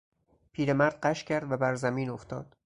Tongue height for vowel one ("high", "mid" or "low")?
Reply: high